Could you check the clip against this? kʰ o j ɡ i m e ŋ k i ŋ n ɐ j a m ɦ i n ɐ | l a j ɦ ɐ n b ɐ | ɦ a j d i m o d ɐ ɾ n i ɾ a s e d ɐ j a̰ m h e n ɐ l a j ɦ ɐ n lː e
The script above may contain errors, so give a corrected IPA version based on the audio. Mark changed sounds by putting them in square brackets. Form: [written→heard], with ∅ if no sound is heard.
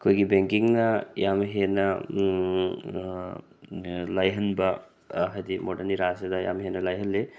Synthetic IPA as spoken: kʰ o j ɡ i [m→b] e ŋ k i ŋ n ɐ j a m ɦ [i→e] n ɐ | l a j ɦ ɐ n b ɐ | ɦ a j d i m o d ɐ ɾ n i ɾ a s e d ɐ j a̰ m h e n ɐ l a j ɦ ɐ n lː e